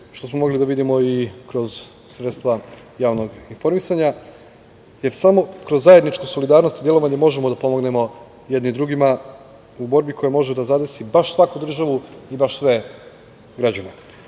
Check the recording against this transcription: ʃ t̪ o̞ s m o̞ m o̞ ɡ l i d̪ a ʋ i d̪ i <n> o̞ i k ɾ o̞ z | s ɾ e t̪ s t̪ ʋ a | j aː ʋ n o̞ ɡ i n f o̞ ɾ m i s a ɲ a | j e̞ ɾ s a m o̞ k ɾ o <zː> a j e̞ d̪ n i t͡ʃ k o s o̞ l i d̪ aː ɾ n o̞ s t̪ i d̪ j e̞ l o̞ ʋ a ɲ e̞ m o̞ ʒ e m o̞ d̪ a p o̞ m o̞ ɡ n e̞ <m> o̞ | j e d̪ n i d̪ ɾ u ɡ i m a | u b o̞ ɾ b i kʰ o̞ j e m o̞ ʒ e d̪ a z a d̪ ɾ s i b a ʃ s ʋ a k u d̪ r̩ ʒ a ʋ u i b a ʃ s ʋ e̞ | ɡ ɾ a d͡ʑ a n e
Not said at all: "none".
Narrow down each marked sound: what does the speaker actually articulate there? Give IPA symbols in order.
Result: m, zː, m

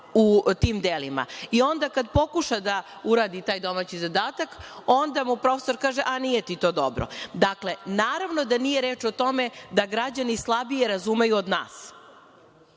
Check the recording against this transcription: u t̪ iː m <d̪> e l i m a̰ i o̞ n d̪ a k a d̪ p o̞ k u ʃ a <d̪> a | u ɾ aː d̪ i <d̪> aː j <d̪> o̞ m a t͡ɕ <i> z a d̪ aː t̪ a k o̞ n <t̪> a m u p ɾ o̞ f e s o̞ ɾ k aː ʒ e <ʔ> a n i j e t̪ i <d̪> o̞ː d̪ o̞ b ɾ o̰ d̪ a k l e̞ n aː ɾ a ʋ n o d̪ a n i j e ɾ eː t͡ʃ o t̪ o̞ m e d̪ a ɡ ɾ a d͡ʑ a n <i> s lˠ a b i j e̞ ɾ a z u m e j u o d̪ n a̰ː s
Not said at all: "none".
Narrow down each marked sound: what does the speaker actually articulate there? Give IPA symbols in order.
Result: d̪, d̪, t̪, d̪, i, d̪, ʔ, t̪, i

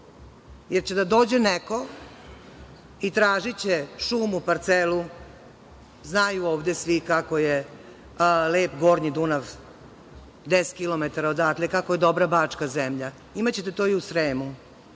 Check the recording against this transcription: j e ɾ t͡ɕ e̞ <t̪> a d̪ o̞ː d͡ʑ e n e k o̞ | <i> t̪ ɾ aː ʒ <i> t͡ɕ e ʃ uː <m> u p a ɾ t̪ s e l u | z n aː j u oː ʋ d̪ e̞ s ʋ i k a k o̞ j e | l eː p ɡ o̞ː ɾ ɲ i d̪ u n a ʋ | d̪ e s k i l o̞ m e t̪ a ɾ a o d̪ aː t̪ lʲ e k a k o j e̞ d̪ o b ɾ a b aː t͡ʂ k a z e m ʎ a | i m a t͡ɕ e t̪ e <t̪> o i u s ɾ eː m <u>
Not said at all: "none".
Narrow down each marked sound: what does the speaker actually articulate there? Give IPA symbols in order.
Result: d̪, i, i, m, t̪, u

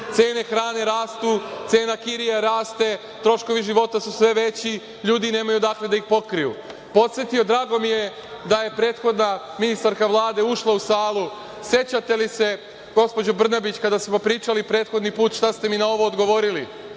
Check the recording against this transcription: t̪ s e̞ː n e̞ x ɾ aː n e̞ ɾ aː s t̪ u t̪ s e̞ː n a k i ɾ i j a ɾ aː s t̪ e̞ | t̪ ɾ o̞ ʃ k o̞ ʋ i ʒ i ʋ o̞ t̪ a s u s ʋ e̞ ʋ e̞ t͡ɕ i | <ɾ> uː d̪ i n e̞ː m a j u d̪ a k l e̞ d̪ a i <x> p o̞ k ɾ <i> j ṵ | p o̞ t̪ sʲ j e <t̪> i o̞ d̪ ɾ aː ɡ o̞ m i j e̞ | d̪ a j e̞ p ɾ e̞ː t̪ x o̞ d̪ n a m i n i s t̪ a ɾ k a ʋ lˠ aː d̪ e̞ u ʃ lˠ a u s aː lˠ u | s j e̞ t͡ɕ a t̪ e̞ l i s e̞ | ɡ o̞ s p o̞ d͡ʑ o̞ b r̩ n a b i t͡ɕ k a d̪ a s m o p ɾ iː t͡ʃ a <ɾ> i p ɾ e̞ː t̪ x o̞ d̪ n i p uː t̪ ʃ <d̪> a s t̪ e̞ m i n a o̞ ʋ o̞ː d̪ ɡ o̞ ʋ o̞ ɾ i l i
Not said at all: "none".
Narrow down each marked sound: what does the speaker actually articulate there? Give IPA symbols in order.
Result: ʎ, x, i, t̪, l, t̪

